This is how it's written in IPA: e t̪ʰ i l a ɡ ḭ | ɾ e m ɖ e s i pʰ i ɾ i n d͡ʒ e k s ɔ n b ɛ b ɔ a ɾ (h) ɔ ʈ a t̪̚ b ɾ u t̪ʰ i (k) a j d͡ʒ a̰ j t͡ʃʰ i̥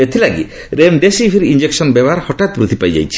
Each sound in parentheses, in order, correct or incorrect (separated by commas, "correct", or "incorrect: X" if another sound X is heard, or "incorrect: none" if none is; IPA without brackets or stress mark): correct, incorrect: p